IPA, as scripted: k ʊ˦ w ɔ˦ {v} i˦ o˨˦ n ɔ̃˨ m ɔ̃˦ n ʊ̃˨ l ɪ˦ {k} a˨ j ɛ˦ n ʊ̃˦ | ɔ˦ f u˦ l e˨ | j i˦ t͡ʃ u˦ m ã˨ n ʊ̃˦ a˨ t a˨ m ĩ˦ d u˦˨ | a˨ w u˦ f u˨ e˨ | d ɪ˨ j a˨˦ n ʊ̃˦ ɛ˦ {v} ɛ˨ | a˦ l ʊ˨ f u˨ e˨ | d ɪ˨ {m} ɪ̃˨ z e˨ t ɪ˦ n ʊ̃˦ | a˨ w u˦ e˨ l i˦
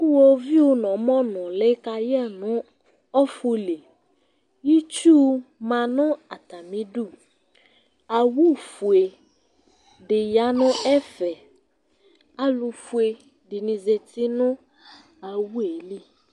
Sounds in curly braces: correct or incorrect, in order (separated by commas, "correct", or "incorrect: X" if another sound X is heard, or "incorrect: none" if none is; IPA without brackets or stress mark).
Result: correct, correct, incorrect: f, incorrect: n